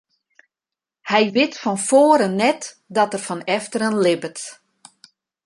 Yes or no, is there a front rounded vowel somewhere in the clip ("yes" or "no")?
no